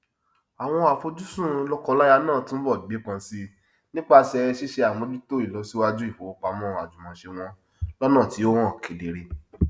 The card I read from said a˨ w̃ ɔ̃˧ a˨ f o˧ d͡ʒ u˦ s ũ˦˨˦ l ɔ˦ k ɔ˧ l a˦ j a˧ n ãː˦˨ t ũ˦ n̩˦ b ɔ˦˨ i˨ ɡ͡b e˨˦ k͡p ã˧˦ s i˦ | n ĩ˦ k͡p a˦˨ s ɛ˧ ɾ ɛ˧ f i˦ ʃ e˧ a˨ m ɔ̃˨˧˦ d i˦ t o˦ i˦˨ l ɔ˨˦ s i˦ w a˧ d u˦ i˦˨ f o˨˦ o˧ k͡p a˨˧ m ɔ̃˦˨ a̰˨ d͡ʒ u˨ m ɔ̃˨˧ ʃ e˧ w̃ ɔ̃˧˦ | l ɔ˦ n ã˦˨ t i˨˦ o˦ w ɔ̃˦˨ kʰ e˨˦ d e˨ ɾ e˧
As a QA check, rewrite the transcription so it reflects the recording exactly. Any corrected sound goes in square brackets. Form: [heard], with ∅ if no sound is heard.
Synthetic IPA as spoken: a˨ w̃ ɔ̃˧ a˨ f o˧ d͡ʒ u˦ s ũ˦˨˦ l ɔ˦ k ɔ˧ l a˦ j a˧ n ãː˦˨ t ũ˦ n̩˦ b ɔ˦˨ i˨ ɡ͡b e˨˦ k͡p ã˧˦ s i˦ | n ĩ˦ k͡p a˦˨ s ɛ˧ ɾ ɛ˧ [ʃ] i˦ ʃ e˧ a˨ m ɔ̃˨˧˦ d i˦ t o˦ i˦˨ l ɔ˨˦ s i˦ w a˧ [d͡ʒ] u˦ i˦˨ f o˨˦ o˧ k͡p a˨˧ m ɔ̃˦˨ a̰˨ d͡ʒ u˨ m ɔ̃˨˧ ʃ e˧ w̃ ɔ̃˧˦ | l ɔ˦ n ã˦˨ t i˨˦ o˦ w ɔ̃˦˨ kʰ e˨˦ d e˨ ɾ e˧